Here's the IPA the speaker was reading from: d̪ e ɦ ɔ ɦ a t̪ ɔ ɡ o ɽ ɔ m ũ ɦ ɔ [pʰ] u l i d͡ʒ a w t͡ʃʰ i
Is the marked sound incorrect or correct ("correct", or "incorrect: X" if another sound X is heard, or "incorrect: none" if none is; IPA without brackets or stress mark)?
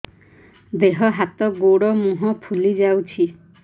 correct